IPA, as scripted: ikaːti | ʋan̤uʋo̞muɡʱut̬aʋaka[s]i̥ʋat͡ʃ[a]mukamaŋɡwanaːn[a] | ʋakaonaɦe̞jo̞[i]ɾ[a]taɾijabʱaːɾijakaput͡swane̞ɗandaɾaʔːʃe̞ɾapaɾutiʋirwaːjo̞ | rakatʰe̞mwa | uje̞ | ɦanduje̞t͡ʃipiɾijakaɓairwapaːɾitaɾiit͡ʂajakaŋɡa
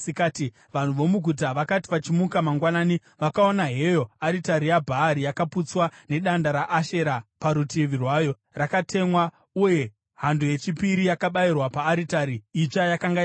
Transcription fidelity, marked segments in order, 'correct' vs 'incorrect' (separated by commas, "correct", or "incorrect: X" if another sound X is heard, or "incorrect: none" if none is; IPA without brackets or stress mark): incorrect: t, incorrect: i, incorrect: i, incorrect: a, incorrect: i